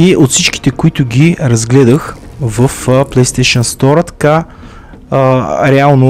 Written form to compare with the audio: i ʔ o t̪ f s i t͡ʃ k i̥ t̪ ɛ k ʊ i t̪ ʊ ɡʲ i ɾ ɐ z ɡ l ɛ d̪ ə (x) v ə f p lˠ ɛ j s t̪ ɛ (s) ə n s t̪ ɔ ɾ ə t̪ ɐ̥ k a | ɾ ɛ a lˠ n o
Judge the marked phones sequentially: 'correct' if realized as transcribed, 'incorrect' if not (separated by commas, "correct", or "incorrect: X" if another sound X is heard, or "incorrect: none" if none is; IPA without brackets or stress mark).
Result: correct, incorrect: ʃ